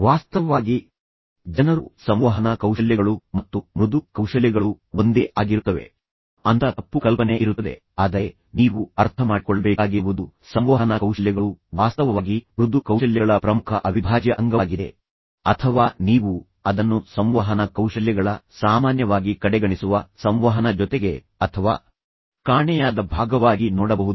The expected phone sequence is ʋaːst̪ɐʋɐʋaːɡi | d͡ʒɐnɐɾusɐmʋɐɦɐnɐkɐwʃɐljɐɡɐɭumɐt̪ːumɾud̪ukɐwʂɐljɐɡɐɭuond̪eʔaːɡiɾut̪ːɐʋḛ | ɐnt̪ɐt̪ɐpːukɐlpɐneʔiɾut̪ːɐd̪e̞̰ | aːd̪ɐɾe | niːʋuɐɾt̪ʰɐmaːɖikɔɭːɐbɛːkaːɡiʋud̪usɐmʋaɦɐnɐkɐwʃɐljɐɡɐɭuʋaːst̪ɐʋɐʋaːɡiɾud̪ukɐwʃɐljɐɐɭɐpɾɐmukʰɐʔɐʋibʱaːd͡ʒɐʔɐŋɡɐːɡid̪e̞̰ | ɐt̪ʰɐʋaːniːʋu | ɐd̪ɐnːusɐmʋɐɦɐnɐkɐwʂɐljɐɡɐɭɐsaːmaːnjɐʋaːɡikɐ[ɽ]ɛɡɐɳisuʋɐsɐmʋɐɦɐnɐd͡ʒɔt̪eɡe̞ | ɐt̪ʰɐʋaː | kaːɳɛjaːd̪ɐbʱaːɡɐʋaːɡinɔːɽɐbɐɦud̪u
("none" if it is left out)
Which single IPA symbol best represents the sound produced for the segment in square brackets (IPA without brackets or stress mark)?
ɽ